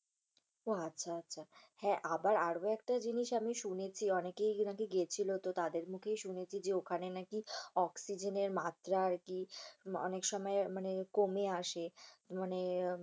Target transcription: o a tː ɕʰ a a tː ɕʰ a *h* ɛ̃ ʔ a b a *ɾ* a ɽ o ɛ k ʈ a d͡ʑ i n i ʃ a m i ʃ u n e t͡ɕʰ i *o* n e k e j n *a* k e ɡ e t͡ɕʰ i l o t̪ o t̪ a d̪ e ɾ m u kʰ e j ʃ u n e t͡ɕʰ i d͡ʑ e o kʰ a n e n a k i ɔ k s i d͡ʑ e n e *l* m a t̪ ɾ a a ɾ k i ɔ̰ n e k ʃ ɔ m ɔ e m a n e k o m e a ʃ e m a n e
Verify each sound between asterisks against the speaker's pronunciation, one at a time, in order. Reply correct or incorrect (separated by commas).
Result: correct, correct, incorrect, correct, incorrect